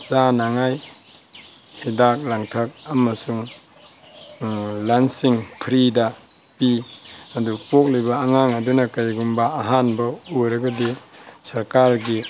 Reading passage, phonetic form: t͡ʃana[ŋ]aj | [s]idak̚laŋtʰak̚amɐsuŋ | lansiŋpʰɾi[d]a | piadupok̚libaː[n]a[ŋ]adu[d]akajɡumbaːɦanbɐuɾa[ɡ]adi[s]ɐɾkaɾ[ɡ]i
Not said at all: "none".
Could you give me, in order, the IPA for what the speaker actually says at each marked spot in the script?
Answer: ŋ, h, d, ŋ, ŋ, n, ɡ, s, ɡ

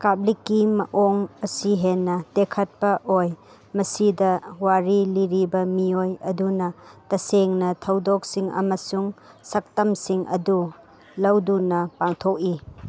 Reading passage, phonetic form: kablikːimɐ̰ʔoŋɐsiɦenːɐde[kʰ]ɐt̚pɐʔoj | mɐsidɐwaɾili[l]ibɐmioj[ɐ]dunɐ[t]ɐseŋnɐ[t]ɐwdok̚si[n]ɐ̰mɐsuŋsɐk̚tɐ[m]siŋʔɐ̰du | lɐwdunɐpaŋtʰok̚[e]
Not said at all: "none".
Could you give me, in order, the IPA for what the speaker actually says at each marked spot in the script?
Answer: kʰ, ɾ, ɐ, t, tʰ, ŋ, m, i

